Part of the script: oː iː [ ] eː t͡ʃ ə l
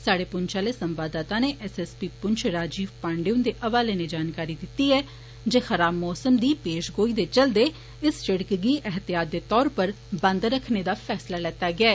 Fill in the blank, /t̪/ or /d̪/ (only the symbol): d̪